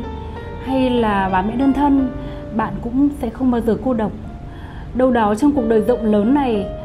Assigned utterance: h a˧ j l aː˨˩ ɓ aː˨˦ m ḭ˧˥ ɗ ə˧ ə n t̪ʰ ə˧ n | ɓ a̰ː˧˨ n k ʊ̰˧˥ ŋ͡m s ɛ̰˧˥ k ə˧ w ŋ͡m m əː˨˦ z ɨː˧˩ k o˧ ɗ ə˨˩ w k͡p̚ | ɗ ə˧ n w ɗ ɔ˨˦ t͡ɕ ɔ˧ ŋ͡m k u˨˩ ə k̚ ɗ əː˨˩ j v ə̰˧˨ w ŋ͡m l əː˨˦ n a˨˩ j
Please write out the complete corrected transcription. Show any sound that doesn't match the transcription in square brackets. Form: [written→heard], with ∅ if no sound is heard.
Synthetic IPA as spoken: h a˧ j l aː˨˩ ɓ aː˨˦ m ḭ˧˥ ɗ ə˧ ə n t̪ʰ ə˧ n | ɓ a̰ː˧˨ n k ʊ̰˧˥ ŋ͡m s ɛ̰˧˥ [k→x] ə˧ w ŋ͡m m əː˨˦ z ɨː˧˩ k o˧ ɗ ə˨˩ w k͡p̚ | ɗ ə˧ [n→∅] w ɗ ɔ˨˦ t͡ɕ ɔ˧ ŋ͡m k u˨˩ ə k̚ ɗ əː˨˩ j [v→z] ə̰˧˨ w ŋ͡m l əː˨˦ [n→nː] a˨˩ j